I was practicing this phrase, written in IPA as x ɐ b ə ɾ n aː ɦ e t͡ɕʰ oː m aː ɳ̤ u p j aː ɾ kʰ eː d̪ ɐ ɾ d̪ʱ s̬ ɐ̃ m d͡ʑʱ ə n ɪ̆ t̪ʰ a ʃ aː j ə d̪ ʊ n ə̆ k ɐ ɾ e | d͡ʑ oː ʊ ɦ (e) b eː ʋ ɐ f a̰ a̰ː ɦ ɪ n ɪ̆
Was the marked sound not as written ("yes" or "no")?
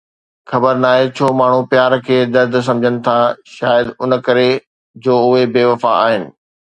no